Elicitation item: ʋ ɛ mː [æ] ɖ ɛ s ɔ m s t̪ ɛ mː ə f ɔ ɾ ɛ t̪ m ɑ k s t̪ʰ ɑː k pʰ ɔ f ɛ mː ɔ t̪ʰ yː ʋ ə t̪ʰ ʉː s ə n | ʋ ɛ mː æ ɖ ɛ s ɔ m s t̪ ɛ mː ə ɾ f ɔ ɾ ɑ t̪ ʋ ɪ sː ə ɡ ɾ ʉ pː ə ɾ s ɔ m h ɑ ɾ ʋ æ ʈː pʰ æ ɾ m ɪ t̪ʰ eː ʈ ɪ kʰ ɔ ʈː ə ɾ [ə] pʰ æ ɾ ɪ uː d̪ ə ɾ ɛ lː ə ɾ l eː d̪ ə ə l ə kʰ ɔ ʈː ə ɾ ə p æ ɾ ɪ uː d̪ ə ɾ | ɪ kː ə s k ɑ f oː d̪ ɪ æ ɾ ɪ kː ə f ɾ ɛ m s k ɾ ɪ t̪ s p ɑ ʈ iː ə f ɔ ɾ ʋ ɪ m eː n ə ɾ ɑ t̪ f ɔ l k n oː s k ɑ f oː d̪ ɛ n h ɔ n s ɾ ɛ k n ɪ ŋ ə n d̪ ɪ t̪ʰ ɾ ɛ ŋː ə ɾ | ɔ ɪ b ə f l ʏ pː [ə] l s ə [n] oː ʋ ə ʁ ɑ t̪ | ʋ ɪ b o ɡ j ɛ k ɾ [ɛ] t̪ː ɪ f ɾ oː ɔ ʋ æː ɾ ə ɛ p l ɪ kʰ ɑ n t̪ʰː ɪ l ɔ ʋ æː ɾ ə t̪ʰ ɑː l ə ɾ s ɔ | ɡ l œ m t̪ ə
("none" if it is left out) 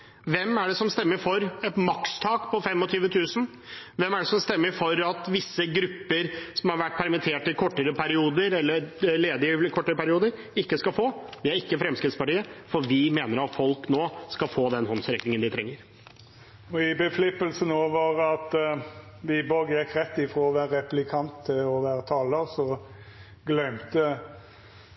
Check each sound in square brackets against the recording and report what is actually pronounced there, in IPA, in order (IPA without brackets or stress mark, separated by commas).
æ, ə, ə, n, ɛ